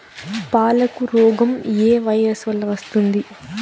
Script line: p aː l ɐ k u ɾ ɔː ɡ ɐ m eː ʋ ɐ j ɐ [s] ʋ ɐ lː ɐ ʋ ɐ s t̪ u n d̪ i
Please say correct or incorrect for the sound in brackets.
correct